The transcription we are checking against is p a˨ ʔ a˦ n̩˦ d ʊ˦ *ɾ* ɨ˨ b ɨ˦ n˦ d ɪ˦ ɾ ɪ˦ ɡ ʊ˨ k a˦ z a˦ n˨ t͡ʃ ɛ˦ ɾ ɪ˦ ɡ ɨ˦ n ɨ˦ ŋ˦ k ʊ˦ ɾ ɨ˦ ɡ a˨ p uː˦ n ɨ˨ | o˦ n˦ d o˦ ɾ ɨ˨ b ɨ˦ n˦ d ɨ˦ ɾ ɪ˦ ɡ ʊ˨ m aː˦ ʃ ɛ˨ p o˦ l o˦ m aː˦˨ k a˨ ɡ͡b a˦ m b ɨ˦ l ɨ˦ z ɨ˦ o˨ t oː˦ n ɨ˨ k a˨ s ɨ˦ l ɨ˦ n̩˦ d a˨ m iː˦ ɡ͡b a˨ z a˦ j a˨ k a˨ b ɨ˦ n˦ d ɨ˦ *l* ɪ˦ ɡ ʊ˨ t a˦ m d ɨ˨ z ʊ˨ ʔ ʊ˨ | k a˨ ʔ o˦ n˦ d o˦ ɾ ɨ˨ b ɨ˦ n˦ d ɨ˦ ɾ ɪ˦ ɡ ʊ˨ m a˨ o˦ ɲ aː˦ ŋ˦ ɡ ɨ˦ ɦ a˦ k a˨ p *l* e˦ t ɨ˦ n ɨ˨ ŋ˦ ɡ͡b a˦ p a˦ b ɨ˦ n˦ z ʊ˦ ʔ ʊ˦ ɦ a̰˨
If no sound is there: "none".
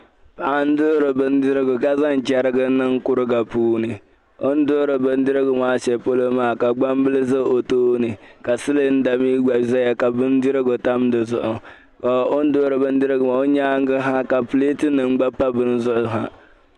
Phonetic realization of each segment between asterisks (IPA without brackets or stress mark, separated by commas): ɾ, ɾ, l